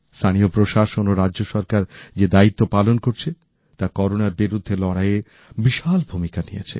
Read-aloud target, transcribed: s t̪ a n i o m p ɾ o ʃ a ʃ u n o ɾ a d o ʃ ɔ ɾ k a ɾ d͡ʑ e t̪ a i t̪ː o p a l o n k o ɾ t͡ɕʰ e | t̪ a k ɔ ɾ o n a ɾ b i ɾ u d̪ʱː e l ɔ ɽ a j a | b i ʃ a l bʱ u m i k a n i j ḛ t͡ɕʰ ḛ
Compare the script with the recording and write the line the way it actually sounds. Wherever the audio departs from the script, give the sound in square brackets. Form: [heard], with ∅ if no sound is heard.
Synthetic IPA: s [t̪ʰ] a n i o [∅] p ɾ o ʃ a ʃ [o] n o ɾ a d o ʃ ɔ ɾ k a ɾ d͡ʑ e [d̪] a i t̪ː o p a l o n k o ɾ t͡ɕʰ e | t̪ a k ɔ ɾ o n a ɾ b i ɾ u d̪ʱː e l ɔ ɽ a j [e] | b i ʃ a l bʱ u m i k a n i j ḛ t͡ɕʰ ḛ